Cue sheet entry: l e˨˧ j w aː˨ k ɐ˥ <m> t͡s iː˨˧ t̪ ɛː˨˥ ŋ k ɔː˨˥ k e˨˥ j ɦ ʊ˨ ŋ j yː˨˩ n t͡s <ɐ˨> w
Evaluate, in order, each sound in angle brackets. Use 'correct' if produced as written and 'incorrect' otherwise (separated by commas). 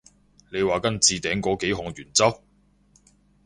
incorrect, incorrect